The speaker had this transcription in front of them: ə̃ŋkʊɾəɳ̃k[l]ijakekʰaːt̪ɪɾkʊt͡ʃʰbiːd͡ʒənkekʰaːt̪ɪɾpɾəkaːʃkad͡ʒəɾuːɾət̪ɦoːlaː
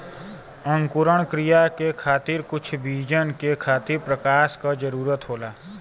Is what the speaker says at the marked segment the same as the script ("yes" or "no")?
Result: no